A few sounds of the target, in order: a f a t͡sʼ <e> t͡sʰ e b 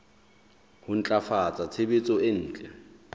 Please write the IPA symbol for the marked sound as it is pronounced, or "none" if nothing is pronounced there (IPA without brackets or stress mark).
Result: a